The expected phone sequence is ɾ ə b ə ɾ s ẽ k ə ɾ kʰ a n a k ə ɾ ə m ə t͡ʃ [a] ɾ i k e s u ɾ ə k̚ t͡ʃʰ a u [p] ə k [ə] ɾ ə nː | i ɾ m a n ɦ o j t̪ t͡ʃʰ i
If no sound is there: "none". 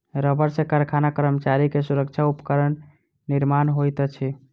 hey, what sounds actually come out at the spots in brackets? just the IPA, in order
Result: a, p, ə

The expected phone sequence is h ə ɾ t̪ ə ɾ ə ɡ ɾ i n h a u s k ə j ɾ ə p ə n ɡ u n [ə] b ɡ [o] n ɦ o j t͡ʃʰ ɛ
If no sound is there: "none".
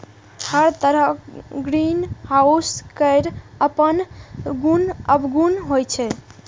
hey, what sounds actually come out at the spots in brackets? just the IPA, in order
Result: ə, u

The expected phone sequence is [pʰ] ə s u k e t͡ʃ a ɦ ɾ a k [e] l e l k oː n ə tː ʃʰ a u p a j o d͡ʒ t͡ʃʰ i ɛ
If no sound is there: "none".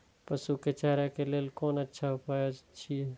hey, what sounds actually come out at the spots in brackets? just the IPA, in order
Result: p, e

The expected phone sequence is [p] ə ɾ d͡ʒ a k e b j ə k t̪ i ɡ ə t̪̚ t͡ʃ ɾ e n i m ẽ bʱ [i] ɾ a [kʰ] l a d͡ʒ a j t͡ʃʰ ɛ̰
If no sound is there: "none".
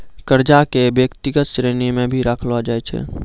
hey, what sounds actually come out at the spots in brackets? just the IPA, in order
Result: k, i, kʰ

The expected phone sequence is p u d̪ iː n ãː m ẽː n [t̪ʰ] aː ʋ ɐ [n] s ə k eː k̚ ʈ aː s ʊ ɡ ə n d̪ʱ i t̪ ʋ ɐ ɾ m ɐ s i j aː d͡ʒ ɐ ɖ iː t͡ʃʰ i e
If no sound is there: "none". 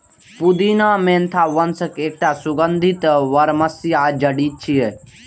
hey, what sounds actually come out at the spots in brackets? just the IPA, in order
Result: t̪ʰ, n

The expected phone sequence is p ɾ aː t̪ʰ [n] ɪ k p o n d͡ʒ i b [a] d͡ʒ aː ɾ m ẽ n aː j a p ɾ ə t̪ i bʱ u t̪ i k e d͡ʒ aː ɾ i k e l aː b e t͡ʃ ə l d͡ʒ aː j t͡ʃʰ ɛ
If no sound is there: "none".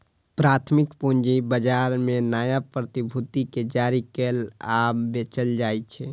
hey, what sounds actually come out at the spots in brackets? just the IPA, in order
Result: m, ə

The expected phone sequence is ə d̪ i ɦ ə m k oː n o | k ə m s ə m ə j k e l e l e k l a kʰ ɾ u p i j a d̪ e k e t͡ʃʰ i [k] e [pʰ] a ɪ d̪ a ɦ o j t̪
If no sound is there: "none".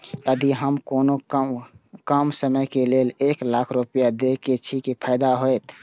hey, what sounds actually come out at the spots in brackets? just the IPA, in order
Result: k, pʰ

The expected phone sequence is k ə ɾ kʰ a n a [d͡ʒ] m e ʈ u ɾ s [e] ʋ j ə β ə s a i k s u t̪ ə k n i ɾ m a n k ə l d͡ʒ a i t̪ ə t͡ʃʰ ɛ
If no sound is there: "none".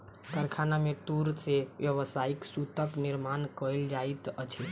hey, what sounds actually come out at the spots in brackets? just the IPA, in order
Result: none, e

